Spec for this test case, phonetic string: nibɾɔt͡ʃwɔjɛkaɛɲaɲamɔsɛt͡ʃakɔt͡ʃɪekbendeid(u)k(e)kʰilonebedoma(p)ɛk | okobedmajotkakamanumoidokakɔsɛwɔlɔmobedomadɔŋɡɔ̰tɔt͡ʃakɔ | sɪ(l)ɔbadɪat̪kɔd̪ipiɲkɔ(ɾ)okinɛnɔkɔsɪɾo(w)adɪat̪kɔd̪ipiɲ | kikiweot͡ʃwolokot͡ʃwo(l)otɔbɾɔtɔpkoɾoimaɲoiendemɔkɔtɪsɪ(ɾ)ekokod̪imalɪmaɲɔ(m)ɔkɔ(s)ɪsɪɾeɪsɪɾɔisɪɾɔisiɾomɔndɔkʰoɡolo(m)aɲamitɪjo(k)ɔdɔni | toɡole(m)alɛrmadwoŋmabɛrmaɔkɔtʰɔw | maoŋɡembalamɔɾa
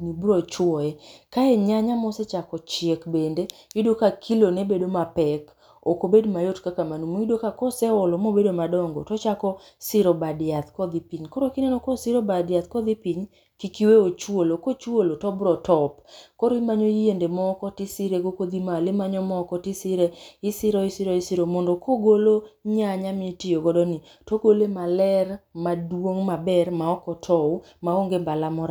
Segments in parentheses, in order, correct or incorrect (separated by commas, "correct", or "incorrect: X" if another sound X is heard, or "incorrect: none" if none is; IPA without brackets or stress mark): incorrect: o, incorrect: a, correct, incorrect: ɾ, correct, incorrect: b, correct, correct, correct, incorrect: t, incorrect: ɲ, incorrect: ɡ, correct